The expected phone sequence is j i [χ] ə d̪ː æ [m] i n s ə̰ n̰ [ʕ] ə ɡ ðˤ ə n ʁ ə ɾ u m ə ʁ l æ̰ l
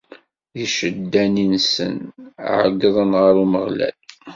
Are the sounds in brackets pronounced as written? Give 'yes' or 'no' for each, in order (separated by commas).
no, no, yes